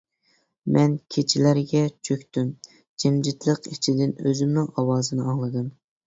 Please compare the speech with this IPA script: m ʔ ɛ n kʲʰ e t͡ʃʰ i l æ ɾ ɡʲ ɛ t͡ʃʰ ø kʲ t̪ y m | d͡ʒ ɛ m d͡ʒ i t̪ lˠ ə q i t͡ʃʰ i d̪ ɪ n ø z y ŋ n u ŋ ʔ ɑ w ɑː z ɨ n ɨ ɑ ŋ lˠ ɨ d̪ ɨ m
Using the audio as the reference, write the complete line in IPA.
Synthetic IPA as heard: m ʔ ɛ n kʲʰ e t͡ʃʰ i l æ ɾ ɡʲ ɛ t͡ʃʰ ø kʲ t̪ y m | d͡ʒ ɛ m d͡ʒ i t̪ lˠ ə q i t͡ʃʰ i d̪ ɪ n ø z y m n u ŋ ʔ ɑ w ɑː z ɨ n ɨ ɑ ŋ lˠ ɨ d̪ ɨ m